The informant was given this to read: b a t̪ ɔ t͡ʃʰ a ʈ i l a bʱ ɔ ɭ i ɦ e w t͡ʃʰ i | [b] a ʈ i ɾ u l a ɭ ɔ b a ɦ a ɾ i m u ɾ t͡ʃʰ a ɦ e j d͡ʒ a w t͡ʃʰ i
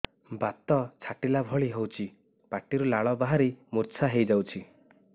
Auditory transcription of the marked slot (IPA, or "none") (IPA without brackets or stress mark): p